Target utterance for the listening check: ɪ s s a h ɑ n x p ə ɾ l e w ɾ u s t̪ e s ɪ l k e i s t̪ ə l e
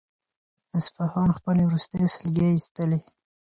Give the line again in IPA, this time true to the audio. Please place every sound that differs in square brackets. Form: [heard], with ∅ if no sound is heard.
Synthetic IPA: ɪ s [f] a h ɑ n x p ə [∅] l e w ɾ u s t̪ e s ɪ l [ɡ] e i s t̪ ə l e